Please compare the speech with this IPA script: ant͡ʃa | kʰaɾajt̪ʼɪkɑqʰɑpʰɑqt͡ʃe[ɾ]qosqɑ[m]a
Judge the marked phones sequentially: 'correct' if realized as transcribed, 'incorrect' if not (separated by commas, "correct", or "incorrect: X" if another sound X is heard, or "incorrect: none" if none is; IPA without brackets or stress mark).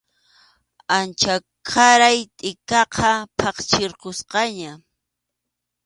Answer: correct, incorrect: ɲ